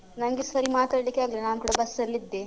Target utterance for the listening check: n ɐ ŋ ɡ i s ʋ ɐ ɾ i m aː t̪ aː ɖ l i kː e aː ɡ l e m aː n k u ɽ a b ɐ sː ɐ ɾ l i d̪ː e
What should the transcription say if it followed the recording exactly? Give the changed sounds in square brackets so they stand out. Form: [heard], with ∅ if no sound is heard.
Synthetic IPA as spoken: n ɐ ŋ ɡ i s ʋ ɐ ɾ i m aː t̪ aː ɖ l i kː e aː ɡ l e [n] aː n k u ɽ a b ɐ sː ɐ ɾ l i d̪ː e